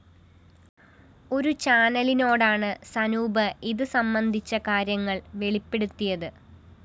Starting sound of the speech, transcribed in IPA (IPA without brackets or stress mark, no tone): o̞